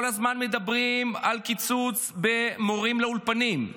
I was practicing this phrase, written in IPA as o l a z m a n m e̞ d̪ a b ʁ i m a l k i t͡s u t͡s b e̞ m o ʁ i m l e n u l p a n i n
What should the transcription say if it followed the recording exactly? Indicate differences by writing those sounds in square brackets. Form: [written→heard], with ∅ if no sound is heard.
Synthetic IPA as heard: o l a z m a n m e̞ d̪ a b ʁ i m a l k i t͡s u t͡s b e̞ m o ʁ i m l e [n→∅] u l p a n i [n→m]